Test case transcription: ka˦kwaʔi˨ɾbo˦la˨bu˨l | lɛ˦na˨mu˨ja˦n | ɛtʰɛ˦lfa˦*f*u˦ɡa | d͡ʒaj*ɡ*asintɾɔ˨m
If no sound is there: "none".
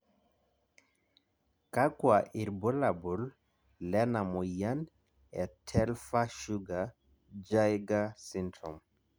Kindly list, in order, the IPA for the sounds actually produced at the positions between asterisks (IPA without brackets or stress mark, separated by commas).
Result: ʃ, ɡ